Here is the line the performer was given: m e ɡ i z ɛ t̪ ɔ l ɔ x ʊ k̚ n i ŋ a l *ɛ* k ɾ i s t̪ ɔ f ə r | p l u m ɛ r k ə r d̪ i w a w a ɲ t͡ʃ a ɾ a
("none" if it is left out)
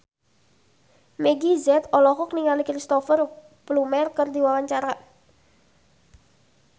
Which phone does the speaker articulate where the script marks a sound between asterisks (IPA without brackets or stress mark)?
i